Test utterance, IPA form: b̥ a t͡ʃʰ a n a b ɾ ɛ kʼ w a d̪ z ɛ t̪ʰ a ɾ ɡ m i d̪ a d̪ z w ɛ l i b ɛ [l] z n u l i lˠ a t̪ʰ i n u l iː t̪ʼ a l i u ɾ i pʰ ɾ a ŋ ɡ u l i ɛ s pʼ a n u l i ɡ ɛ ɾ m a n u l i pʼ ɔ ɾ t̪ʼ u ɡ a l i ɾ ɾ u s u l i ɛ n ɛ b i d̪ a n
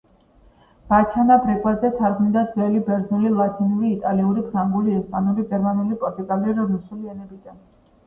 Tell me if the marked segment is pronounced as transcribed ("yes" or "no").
no